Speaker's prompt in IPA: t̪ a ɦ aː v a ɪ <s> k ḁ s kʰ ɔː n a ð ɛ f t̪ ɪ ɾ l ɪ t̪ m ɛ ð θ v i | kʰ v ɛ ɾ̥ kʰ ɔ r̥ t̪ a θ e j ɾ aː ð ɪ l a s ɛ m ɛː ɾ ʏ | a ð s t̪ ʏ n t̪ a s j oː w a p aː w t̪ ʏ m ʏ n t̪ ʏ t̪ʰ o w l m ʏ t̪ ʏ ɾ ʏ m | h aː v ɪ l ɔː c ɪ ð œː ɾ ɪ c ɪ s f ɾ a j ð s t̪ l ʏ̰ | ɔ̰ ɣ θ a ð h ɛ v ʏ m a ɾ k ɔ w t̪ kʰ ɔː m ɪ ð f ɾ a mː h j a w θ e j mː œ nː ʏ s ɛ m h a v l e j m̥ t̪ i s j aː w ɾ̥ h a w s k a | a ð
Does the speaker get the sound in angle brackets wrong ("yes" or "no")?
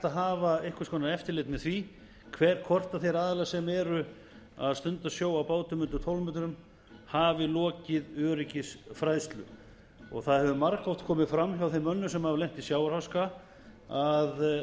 yes